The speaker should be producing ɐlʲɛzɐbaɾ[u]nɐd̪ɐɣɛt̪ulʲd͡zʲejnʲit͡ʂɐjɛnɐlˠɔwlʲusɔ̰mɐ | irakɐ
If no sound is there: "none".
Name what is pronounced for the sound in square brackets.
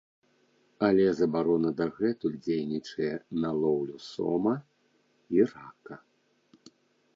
ɔ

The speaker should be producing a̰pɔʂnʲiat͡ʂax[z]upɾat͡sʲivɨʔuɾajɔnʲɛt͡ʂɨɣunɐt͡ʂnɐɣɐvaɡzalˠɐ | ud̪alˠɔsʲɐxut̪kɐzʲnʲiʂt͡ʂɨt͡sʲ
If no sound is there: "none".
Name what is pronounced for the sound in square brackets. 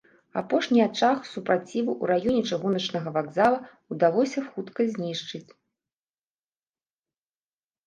s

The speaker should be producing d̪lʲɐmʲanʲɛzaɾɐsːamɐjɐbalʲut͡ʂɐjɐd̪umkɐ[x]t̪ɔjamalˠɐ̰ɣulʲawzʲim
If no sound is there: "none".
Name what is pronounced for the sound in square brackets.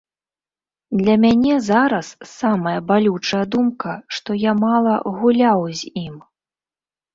ʂ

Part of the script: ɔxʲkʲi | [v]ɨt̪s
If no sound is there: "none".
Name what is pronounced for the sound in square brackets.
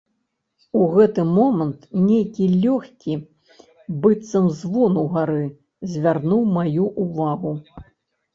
b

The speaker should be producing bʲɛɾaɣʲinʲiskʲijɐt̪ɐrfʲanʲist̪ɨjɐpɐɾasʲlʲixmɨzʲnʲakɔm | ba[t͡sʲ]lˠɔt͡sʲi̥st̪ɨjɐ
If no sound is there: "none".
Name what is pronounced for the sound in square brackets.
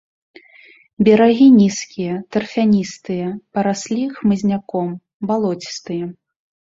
none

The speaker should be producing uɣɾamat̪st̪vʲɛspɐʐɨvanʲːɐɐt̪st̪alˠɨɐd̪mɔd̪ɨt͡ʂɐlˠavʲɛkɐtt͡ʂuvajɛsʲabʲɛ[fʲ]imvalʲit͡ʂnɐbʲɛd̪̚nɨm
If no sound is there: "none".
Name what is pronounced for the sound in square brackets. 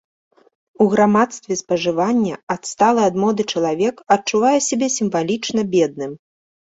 sʲ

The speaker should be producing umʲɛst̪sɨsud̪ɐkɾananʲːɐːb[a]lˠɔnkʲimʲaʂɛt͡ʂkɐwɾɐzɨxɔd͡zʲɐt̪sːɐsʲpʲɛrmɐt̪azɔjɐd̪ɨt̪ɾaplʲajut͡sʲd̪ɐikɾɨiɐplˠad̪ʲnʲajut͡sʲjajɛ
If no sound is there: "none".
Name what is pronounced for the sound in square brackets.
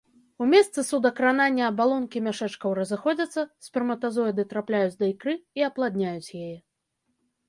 a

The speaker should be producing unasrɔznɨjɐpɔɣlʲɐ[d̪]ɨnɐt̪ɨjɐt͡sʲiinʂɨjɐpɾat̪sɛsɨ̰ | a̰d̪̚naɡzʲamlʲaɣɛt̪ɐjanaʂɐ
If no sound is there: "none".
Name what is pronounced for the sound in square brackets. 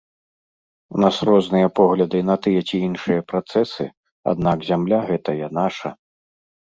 d̪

